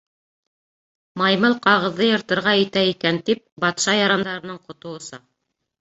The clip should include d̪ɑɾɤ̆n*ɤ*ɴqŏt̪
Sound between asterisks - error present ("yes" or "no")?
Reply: no